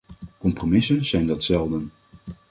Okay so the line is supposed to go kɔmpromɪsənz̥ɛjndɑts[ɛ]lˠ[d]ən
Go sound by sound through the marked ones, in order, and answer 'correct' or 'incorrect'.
correct, correct

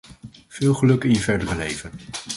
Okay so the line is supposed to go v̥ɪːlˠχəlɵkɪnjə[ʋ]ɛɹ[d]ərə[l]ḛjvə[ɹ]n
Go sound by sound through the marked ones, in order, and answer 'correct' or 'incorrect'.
incorrect: v, correct, correct, incorrect: none

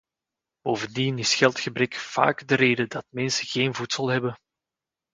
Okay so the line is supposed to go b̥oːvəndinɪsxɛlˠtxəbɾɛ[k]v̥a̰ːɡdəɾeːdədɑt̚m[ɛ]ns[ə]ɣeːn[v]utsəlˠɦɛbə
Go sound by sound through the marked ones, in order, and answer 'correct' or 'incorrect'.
correct, correct, correct, correct

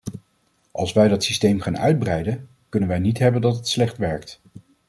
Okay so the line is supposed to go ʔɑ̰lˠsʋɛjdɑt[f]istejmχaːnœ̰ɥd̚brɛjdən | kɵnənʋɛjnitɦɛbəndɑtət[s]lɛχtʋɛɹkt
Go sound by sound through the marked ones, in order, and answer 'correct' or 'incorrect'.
incorrect: s, correct

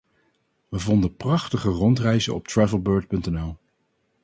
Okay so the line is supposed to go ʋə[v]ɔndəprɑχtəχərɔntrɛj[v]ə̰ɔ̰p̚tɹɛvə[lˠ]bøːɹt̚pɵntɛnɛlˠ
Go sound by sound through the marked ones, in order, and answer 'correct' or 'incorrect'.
correct, incorrect: z, correct

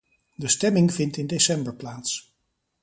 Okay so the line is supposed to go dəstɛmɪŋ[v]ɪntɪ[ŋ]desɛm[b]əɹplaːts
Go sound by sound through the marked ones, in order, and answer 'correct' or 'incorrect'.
correct, incorrect: n, correct

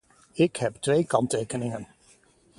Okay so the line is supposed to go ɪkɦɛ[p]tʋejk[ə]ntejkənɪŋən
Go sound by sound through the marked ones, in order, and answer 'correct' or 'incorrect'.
correct, incorrect: ɑ

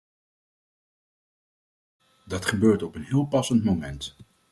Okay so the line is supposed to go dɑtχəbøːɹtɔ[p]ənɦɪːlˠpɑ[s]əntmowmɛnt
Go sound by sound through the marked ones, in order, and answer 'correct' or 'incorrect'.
correct, correct

